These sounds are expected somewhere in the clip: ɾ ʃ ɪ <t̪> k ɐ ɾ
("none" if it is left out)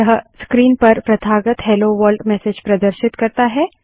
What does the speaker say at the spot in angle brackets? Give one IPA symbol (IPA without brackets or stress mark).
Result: t̪